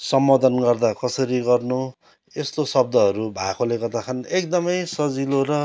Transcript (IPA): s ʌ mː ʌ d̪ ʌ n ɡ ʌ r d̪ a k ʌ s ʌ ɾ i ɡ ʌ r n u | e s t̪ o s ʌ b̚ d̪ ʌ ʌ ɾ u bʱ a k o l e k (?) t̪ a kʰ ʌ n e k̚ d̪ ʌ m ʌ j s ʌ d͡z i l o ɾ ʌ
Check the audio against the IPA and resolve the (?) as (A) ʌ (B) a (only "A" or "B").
A